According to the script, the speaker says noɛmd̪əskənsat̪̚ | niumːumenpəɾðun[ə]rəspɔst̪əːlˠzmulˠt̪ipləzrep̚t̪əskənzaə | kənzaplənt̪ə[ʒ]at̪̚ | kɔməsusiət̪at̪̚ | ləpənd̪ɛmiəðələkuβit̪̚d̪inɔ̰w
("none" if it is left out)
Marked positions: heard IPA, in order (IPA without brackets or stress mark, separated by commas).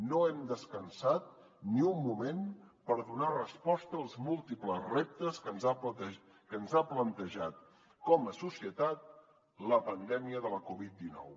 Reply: a, ʒ